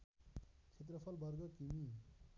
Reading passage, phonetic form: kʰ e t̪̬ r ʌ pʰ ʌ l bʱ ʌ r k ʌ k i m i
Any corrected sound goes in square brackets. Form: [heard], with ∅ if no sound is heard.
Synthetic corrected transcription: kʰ e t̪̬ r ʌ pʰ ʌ l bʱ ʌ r [ɡ] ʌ k i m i